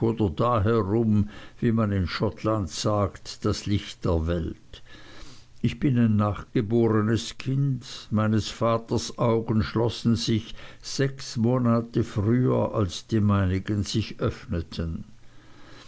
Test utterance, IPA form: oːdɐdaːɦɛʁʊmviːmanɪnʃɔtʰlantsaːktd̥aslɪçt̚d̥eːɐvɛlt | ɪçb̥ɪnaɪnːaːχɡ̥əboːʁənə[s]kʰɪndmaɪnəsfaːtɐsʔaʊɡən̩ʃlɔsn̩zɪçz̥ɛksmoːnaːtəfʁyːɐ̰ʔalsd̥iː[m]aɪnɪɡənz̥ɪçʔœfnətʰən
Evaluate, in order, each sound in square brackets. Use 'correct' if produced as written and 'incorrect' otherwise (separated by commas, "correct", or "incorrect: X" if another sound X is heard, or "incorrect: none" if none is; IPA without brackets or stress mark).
correct, correct